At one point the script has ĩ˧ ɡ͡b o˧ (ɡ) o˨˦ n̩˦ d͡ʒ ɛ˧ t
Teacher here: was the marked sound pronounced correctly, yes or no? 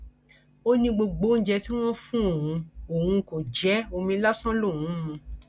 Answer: no